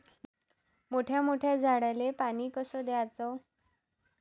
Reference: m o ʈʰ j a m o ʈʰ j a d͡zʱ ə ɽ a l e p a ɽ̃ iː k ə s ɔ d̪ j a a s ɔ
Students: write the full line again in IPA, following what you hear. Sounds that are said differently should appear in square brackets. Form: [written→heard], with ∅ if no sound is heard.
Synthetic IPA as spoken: m o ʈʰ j a m o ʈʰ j a d͡zʱ [ə→a] ɽ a l e p a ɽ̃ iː k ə s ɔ d̪ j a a [s→t͡s] ɔ

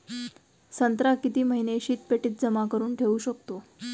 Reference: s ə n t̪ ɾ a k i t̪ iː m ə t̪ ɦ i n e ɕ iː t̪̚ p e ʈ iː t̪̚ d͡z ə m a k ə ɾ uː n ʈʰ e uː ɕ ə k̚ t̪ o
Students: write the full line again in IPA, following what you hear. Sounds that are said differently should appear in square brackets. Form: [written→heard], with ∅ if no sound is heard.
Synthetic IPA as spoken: s ə n t̪ ɾ a k i t̪ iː m ə [t̪→∅] ɦ i n e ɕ iː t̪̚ p e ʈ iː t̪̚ d͡z ə m a k ə ɾ uː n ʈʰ e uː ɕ ə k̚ t̪ o

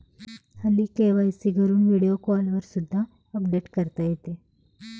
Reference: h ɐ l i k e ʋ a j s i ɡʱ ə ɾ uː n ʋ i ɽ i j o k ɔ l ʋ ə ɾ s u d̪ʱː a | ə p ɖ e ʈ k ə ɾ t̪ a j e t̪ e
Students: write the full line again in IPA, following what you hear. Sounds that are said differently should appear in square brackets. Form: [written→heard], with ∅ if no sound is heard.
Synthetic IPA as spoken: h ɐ l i k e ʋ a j s i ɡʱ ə ɾ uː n ʋ i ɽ i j o k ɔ l ʋ ə ɾ s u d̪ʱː a | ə p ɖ e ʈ k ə ɾ t̪ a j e t̪ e

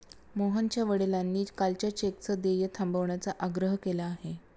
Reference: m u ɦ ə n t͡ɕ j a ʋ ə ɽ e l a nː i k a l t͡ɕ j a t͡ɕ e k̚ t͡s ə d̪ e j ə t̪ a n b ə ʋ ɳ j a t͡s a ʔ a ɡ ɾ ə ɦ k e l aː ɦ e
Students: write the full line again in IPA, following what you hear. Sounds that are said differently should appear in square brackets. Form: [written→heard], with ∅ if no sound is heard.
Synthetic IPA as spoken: m [u→o] ɦ ə n t͡ɕ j a ʋ ə ɽ e l a nː [i→iː] k a l t͡ɕ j a t͡ɕ e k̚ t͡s ə d̪ e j ə [t̪→t̪ʰ] a [n→m] b ə ʋ ɳ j a t͡s a ʔ a ɡ ɾ ə ɦ k e l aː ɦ e

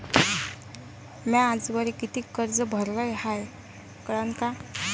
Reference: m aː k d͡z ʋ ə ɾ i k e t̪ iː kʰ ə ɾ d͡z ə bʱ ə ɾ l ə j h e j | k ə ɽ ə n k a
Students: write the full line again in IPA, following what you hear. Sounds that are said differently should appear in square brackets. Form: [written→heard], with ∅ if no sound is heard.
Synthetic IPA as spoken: m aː [k→∅] d͡z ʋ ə ɾ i k [e→i] t̪ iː [kʰ→k] ə ɾ d͡z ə bʱ ə ɾ l ə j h [e→a] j | k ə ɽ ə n k a

